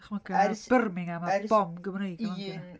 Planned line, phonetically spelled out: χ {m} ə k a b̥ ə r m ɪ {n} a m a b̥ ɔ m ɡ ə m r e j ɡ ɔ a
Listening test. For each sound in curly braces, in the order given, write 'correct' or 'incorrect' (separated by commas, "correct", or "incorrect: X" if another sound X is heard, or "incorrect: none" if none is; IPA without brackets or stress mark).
correct, incorrect: ŋ